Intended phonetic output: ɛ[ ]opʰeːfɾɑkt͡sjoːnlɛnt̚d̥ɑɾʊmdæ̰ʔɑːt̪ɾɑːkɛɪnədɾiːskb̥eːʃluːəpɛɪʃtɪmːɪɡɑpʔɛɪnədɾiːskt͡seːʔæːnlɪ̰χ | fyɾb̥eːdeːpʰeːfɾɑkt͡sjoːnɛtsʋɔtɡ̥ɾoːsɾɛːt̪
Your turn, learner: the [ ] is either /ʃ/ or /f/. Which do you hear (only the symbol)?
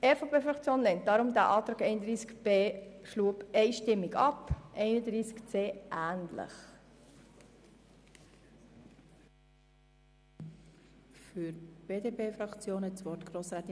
f